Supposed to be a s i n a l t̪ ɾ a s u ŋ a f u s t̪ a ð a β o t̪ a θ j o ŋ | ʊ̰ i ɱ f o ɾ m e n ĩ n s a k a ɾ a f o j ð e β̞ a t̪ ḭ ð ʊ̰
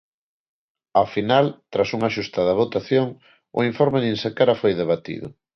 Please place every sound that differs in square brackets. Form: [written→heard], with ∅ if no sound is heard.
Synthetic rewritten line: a [s→f] i n a l t̪ ɾ a s u ŋ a [f→ʃ] u s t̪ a ð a β o t̪ a θ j o ŋ | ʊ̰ i ɱ f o ɾ m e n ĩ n s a k a ɾ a f o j ð e β̞ a t̪ ḭ ð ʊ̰